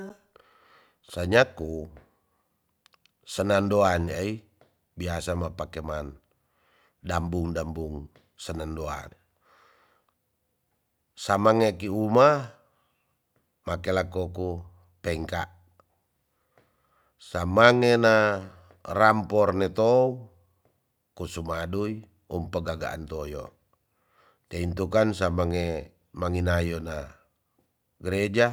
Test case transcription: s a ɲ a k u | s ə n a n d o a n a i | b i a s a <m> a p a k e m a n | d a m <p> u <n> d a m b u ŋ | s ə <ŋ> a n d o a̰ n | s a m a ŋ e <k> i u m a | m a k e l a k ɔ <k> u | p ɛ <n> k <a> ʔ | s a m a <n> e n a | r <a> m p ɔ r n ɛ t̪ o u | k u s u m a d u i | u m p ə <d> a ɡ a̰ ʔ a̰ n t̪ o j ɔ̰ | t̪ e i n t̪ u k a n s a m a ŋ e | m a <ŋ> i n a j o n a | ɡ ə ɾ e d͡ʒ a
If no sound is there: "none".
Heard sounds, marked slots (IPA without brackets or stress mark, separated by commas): m, b, ŋ, n, k, k, ŋ, a, ŋ, a, ɡ, ŋ